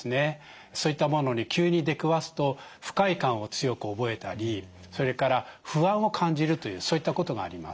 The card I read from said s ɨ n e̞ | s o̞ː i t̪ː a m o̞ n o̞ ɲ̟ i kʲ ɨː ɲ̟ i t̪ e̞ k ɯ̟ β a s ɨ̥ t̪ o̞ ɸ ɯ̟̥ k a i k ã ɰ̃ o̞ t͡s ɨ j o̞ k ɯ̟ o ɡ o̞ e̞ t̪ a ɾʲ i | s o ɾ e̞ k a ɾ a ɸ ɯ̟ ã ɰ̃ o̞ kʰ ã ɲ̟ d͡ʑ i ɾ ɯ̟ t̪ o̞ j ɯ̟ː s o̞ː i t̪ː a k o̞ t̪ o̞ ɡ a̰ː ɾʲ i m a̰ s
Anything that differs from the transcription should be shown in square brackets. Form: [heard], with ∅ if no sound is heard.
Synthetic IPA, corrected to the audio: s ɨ n e̞ | s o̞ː i t̪ː a m o̞ n o̞ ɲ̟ i kʲ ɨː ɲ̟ i [d̪] e̞ k ɯ̟ β a s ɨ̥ t̪ o̞ ɸ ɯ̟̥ k a i k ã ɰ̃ o̞ t͡s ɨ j o̞ k ɯ̟ o [b] o̞ e̞ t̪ a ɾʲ i | s o ɾ e̞ k a ɾ a ɸ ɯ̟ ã ɰ̃ o̞ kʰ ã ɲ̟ d͡ʑ i ɾ ɯ̟ t̪ o̞ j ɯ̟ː s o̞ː i t̪ː a k o̞ t̪ o̞ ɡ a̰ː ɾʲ i m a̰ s